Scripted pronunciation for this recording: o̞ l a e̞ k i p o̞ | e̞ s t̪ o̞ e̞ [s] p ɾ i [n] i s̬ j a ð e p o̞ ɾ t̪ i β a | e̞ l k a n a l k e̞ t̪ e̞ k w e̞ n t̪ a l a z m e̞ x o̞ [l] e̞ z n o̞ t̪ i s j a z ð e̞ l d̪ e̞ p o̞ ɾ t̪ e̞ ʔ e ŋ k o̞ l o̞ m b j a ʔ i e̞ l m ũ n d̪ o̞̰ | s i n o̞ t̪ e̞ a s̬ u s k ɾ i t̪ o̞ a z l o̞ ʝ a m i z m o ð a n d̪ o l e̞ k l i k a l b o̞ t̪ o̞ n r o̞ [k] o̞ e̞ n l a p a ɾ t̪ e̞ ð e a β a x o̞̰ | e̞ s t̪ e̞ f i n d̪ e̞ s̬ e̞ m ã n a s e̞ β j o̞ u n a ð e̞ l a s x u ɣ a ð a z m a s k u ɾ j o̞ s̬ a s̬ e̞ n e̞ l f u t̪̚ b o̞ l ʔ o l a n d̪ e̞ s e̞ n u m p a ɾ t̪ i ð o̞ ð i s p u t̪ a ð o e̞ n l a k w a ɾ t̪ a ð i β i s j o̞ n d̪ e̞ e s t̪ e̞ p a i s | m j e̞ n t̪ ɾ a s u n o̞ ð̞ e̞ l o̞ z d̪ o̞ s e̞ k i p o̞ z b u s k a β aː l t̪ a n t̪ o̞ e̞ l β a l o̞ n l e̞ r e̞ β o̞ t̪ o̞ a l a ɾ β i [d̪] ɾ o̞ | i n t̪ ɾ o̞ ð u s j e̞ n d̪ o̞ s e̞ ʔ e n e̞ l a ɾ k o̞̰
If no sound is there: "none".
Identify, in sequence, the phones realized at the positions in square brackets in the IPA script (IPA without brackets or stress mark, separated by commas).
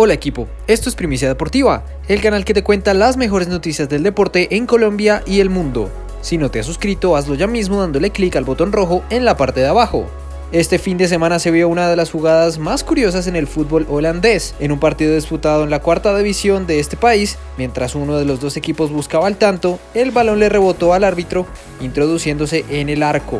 s, m, ɾ, x, t̪